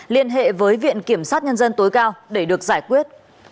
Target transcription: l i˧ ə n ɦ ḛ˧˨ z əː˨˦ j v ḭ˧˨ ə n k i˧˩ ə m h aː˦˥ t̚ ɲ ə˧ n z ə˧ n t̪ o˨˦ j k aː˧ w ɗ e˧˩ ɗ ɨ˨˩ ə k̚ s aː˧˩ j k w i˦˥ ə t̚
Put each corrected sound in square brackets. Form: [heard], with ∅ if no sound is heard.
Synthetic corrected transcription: l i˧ ə n ɦ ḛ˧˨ [v] əː˨˦ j v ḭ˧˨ ə n k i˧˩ ə m [s] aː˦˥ t̚ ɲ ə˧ n z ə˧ n t̪ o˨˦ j k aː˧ w ɗ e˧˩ ɗ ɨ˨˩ ə k̚ [z] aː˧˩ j k w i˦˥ ə t̚